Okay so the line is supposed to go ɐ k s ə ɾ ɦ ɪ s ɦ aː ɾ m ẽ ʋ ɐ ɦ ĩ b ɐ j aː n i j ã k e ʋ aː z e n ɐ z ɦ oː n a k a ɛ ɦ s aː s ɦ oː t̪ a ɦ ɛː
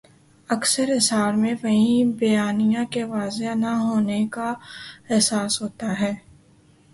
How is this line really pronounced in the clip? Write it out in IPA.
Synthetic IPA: ɐ k s ə ɾ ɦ ɪ s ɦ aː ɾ m ẽ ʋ ɐ ɦ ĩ b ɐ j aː n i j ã k e ʋ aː z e n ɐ ɦ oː n e k a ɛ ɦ s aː s ɦ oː t̪ a ɦ ɛː